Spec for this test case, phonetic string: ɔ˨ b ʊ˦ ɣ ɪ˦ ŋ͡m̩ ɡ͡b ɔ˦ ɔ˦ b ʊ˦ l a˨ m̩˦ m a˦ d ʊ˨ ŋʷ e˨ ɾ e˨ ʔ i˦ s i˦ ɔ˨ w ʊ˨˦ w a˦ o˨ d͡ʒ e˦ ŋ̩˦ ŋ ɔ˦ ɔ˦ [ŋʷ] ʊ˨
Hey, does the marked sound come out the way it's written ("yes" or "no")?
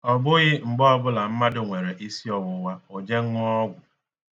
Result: no